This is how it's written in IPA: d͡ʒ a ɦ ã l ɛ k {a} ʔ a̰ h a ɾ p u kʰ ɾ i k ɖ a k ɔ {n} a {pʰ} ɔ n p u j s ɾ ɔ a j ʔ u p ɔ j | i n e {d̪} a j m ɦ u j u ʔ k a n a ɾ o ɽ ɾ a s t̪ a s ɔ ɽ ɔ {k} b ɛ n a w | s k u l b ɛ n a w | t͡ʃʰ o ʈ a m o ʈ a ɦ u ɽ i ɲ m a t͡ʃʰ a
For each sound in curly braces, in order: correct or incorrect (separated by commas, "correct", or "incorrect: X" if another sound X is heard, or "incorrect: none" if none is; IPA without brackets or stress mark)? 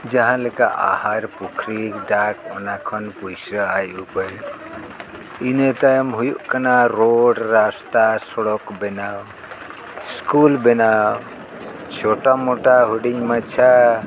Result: correct, correct, incorrect: kʰ, incorrect: t̪, correct